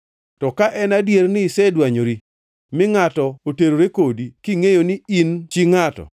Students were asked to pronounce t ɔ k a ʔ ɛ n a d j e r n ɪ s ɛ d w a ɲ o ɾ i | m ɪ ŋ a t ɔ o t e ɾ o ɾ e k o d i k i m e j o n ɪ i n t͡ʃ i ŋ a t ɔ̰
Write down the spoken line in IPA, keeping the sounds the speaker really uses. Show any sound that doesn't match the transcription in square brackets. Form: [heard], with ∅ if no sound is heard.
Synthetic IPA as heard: t ɔ k a ʔ ɛ n a d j e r n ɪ s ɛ d w a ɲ o ɾ i | m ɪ ŋ a t ɔ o t e ɾ o ɾ e k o d i k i [ŋ] e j o n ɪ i n t͡ʃ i ŋ a t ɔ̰